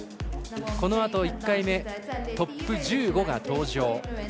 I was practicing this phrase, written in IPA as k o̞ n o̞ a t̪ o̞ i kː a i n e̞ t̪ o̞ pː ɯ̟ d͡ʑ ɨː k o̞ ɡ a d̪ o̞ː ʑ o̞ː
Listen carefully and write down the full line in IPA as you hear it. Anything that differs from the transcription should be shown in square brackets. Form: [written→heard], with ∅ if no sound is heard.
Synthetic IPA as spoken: k o̞ n o̞ a t̪ o̞ i kː a i [n→m] e̞ t̪ o̞ pː ɯ̟ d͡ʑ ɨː [k→ɡ] o̞ ɡ a [d̪→t̪] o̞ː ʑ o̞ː